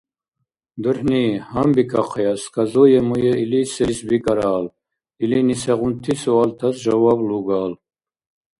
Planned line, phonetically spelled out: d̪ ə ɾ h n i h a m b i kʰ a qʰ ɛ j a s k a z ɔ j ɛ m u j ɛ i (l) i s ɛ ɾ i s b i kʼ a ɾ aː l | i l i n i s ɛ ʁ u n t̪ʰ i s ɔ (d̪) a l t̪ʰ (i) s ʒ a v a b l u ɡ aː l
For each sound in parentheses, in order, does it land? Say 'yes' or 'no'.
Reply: yes, no, no

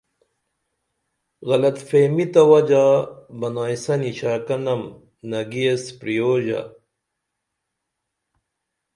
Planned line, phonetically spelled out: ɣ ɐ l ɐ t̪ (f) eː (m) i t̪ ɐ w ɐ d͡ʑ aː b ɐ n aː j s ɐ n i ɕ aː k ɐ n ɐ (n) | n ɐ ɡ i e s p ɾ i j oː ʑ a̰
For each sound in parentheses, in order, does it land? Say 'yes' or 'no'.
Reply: yes, yes, no

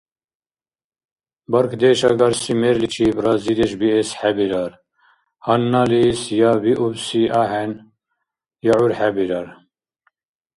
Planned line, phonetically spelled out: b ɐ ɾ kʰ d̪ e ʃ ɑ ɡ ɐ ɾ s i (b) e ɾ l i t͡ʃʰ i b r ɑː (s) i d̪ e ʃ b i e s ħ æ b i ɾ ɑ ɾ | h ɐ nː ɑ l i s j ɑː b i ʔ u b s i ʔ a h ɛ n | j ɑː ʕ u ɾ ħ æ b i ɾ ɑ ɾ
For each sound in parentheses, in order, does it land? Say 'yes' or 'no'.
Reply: no, no

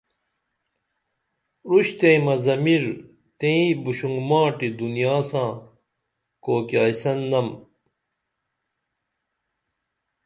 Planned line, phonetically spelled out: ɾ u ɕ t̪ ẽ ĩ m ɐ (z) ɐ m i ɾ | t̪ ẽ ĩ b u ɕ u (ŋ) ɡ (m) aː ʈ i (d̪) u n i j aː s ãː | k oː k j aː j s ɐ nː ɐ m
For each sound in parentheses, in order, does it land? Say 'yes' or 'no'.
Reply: yes, yes, yes, yes

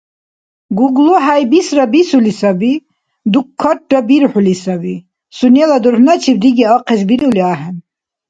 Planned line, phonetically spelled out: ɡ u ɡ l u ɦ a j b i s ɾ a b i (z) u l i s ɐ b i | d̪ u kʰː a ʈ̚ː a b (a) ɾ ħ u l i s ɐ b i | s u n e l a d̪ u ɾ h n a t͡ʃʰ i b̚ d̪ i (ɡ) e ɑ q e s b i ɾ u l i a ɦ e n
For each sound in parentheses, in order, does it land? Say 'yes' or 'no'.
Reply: no, no, yes

